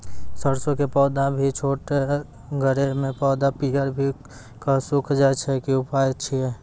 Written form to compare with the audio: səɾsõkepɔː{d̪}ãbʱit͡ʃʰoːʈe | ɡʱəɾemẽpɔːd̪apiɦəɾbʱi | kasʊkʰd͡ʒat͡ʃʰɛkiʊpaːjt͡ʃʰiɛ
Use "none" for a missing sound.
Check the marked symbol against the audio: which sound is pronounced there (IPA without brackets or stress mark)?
d̪